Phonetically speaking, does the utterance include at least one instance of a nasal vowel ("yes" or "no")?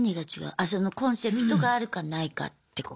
yes